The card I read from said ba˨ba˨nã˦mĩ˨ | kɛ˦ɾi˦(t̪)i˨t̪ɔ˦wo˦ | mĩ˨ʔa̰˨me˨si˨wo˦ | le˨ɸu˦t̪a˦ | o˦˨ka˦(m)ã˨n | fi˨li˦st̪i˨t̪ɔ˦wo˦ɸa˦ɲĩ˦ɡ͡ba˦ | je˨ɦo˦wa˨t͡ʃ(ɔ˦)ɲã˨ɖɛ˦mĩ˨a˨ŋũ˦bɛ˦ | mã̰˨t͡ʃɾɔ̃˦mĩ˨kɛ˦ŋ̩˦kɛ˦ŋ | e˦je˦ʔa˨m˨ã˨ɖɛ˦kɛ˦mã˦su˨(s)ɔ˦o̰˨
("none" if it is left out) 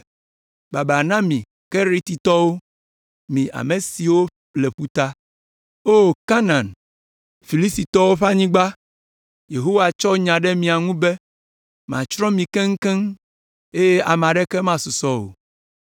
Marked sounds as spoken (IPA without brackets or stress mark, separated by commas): t̪, n, ɔ˦, s